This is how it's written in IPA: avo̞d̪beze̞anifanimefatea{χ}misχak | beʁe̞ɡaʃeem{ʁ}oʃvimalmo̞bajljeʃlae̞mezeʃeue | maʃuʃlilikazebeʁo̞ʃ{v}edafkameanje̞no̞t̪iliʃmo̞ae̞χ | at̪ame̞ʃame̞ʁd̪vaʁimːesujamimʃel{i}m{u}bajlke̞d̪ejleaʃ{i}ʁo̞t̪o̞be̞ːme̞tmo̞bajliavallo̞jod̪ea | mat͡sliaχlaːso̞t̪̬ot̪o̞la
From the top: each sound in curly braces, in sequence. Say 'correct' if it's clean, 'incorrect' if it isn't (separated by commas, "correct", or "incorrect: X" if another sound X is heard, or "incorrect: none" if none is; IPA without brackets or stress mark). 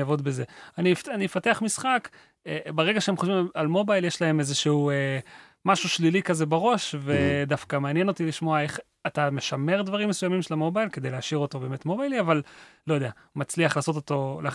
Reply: correct, incorrect: χ, correct, incorrect: a, incorrect: o, correct